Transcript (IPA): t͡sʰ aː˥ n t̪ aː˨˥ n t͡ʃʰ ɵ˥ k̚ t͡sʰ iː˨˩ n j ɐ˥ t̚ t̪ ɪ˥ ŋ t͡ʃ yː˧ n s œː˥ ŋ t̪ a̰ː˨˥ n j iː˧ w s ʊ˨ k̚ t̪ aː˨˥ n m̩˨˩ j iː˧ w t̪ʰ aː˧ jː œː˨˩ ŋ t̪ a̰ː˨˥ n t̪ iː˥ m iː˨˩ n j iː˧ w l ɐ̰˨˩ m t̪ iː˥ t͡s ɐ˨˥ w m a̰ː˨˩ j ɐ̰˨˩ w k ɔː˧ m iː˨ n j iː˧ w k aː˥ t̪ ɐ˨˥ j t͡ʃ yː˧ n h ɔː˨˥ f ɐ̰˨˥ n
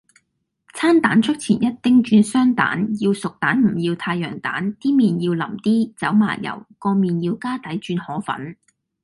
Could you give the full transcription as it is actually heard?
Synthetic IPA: t͡sʰ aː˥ n t̪ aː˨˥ n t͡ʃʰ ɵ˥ k̚ t͡sʰ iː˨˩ n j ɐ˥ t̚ t̪ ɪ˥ ŋ t͡ʃ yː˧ n s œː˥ ŋ t̪ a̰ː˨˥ n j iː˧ w s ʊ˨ k̚ t̪ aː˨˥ n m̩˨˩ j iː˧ w t̪ʰ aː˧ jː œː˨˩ ŋ t̪ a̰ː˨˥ n t̪ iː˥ m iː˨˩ n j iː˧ w l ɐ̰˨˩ m t̪ iː˥ t͡s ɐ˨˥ w m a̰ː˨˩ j ɐ̰˨˩ w k ɔː˧ m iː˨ n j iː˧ w k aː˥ t̪ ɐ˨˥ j t͡ʃ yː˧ n h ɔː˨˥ f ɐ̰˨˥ n